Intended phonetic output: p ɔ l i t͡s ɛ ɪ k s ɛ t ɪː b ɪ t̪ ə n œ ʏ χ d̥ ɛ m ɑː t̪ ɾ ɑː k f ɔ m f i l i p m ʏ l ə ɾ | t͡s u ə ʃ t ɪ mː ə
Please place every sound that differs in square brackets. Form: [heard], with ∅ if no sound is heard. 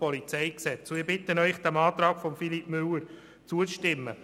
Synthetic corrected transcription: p ɔ l i t͡s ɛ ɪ k s ɛ [t͡s] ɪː b ɪ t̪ ə n œ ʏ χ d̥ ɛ m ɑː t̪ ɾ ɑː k f ɔ m f i l i p m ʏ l ə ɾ | t͡s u ə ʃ t ɪ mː ə